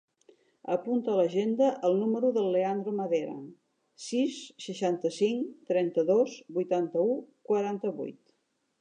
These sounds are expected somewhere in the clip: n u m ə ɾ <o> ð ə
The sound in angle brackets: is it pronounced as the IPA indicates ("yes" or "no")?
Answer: no